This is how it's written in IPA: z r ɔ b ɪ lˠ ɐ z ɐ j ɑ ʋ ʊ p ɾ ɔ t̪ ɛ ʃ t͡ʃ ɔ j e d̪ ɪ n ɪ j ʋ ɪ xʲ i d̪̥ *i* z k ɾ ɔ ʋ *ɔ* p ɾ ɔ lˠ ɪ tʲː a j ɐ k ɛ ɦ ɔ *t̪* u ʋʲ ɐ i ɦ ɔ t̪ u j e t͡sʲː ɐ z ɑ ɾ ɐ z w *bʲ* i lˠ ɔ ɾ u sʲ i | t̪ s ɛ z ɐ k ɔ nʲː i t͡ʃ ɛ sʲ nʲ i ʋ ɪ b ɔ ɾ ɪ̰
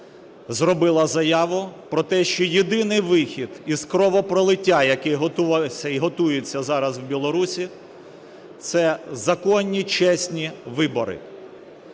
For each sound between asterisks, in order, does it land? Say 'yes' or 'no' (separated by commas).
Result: yes, yes, yes, yes